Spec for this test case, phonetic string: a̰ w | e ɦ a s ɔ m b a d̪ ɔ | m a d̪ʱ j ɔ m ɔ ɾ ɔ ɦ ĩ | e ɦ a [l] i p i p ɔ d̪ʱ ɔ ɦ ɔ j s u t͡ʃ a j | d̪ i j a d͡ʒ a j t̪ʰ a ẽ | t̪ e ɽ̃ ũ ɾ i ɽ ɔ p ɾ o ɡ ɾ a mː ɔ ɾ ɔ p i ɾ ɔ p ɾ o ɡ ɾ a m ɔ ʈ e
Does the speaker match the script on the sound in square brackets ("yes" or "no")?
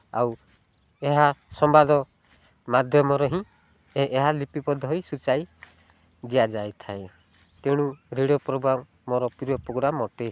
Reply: yes